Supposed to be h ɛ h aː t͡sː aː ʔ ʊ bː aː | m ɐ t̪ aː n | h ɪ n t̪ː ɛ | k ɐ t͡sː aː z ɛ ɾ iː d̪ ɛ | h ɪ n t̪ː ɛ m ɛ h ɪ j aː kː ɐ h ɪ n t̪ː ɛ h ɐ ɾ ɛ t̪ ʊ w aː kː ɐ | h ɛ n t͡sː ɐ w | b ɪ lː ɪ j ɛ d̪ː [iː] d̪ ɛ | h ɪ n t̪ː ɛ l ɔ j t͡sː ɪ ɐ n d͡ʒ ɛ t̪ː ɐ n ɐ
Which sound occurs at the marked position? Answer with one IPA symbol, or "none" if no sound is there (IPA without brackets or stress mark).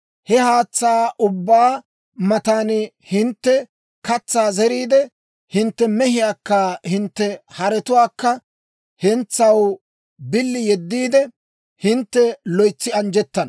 iː